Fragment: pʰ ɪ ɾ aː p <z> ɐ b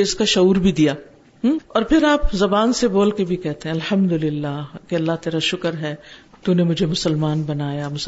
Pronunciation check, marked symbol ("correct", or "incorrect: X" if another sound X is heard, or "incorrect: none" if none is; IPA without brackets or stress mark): correct